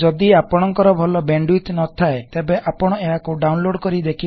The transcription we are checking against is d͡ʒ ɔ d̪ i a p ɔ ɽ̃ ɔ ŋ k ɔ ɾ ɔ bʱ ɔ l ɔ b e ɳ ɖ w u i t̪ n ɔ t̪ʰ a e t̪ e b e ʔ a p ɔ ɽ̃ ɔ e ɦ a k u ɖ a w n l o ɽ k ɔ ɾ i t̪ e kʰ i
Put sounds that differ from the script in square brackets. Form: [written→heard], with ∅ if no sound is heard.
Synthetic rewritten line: d͡ʒ ɔ d̪ i a p ɔ ɽ̃ ɔ ŋ k ɔ ɾ ɔ bʱ ɔ l ɔ b e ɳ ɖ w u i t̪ n ɔ t̪ʰ a e t̪ e b e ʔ a p ɔ ɽ̃ ɔ e ɦ a k u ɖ a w n l o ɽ k ɔ ɾ i [t̪→d̪] e kʰ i